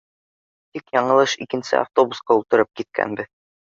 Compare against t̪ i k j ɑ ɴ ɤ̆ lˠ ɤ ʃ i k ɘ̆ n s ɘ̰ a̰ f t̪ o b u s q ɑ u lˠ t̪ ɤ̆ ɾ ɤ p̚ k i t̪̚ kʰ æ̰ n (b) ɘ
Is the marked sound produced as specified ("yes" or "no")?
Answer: yes